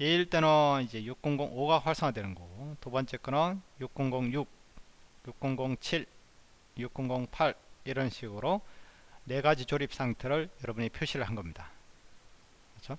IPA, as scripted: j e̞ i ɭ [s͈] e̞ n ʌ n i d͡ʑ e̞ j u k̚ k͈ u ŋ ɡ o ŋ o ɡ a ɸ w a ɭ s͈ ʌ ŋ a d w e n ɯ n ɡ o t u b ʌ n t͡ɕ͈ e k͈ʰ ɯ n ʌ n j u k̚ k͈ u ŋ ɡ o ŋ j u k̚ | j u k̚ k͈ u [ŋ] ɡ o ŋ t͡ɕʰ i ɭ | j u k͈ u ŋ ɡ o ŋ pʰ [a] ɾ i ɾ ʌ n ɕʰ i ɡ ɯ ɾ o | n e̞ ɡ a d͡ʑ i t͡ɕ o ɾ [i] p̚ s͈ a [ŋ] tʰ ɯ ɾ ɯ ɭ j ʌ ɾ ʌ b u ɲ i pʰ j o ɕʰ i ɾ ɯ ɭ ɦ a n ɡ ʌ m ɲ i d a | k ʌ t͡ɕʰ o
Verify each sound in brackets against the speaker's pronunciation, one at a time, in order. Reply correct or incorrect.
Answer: incorrect: t͈, correct, correct, correct, correct

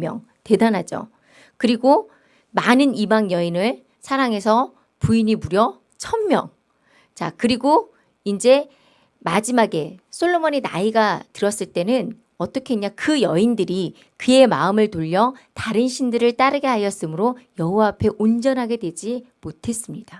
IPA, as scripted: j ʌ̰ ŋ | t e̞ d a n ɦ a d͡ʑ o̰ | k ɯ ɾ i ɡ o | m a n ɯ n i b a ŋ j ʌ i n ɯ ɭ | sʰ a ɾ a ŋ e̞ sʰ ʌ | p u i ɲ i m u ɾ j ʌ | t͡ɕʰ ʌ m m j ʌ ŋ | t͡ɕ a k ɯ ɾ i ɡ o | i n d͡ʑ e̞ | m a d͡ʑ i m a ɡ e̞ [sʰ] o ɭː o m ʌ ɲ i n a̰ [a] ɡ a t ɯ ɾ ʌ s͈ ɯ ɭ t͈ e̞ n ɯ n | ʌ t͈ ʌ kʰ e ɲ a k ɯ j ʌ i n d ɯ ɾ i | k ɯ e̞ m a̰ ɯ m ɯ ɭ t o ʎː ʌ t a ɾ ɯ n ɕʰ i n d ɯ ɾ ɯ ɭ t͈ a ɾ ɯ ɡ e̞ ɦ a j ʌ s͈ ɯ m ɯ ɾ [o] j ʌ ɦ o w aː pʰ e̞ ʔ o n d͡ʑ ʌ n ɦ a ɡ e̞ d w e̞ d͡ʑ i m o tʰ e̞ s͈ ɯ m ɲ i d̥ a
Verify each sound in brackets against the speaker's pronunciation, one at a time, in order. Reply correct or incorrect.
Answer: correct, incorrect: i, correct

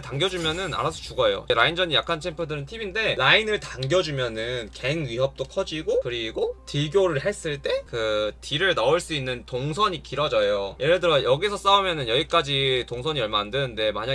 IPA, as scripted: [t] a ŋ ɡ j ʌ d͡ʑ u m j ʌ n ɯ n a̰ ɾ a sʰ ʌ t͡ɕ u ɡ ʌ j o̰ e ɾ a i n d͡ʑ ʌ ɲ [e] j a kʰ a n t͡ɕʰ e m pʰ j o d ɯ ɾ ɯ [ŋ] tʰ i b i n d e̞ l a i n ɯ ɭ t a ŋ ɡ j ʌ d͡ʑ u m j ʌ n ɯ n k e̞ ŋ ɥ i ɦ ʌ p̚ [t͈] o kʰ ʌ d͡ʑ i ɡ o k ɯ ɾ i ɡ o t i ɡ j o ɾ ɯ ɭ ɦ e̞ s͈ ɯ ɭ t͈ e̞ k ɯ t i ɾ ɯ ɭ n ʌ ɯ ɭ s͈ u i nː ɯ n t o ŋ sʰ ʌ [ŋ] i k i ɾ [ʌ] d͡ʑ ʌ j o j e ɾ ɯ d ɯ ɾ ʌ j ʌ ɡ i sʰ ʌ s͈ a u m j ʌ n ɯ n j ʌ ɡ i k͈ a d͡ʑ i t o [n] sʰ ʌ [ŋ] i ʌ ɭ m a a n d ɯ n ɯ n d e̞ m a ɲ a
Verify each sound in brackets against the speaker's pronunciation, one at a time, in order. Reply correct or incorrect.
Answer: correct, incorrect: i, incorrect: n, correct, incorrect: ɲ, correct, incorrect: ŋ, incorrect: ɲ

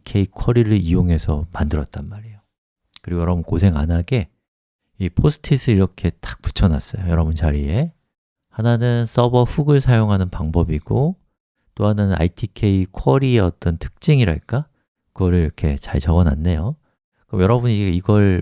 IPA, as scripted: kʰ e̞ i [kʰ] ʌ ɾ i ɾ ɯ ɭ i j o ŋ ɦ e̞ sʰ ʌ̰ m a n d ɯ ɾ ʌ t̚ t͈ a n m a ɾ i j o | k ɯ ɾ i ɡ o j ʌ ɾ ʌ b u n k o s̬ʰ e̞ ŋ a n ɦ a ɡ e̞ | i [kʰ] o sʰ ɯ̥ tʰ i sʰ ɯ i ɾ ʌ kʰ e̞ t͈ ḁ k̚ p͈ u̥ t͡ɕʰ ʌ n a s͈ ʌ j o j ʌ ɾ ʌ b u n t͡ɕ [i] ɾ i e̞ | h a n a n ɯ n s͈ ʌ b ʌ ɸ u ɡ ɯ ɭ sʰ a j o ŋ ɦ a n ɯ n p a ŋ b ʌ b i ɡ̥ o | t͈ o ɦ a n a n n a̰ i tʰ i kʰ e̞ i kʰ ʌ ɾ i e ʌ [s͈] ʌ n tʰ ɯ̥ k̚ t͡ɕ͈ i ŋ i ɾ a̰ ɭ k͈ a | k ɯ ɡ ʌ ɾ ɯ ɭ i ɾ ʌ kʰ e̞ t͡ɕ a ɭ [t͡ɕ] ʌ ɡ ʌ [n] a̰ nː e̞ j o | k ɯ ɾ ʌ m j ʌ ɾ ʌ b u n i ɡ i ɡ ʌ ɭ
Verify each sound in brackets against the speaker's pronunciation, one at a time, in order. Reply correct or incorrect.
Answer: correct, incorrect: pʰ, incorrect: a, incorrect: t͈, correct, correct

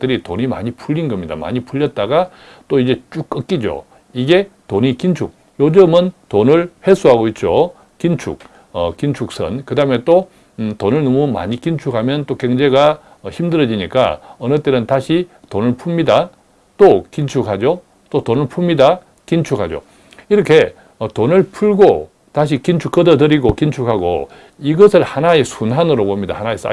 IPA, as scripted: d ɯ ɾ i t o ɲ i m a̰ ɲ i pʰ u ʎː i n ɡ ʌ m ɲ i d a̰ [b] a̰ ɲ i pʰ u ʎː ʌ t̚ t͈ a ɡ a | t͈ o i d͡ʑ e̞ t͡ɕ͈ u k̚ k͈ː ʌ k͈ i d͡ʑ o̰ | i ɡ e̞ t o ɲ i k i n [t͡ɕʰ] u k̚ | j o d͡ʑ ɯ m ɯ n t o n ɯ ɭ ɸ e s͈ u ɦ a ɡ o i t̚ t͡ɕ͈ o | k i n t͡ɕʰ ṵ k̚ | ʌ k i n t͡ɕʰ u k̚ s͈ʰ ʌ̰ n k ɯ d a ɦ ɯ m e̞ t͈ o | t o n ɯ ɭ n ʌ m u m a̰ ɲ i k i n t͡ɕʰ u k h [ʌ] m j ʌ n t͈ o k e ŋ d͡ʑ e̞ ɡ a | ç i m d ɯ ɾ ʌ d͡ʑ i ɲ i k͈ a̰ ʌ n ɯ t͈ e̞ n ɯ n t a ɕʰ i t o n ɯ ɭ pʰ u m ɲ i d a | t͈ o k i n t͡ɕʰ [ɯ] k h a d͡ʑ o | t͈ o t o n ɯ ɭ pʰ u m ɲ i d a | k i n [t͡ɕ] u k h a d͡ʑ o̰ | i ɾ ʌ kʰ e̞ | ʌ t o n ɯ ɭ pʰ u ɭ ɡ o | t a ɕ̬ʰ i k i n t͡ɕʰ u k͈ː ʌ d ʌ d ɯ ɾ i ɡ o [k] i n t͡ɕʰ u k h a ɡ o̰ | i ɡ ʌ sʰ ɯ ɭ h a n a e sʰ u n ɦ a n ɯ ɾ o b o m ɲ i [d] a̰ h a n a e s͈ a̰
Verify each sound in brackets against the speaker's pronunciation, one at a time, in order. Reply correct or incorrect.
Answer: incorrect: m, correct, incorrect: a, incorrect: u, incorrect: t͡ɕʰ, correct, correct

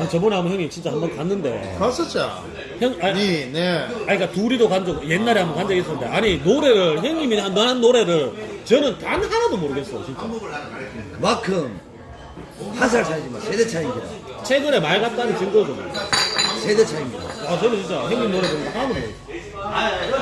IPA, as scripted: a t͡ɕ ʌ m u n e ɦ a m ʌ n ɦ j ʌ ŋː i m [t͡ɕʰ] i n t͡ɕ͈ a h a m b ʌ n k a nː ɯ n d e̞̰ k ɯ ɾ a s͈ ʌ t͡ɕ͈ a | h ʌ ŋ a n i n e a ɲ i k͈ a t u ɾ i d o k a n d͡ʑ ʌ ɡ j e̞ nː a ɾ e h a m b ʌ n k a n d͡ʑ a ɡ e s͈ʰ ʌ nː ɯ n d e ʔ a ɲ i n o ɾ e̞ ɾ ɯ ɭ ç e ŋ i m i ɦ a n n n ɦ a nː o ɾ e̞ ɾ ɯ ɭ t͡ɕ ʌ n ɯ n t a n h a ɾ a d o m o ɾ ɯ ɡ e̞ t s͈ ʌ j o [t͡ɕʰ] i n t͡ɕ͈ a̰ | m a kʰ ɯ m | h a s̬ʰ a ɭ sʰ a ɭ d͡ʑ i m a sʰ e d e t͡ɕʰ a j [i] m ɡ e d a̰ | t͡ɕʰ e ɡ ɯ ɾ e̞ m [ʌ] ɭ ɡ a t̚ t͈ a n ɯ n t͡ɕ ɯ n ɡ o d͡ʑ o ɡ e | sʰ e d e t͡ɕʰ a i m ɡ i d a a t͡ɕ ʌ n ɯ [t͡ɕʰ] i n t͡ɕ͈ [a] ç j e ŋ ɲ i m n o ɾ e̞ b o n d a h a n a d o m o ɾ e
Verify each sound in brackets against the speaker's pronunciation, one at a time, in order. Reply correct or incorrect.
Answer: incorrect: t͡ɕ, incorrect: t͡ɕ, correct, incorrect: a, incorrect: t͡ɕ, correct

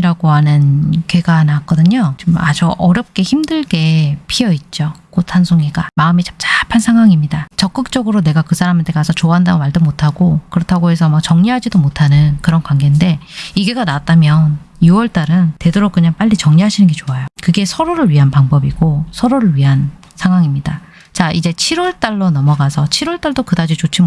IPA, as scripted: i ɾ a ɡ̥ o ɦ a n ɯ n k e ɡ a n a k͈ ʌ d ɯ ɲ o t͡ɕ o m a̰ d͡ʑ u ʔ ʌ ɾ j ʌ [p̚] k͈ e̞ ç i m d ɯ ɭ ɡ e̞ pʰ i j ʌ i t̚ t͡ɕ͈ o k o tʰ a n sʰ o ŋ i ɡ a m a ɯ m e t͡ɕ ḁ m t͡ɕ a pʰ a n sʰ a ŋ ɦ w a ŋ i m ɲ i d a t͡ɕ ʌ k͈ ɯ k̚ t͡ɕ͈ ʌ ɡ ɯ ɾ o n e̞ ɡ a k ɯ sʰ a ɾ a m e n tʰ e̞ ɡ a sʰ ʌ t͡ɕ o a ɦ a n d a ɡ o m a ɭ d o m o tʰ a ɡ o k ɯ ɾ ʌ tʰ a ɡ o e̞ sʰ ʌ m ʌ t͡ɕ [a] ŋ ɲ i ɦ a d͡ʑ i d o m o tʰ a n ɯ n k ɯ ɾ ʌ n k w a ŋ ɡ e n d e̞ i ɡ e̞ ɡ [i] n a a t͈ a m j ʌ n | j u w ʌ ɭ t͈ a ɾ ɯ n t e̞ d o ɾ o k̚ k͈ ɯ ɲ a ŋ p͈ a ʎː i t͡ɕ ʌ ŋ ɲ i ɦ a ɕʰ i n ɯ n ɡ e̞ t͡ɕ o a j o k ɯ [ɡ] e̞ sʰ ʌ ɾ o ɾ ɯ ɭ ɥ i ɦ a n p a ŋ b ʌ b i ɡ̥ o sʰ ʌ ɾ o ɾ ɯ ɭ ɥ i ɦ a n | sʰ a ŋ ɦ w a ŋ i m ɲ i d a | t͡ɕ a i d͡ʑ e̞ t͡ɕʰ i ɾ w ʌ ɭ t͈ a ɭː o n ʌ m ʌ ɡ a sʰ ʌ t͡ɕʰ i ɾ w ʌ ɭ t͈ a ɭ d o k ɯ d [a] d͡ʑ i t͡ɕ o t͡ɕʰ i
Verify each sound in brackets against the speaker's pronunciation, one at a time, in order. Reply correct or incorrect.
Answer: correct, incorrect: ʌ, incorrect: a, correct, correct

